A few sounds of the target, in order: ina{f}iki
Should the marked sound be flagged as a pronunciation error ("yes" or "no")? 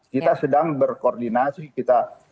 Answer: yes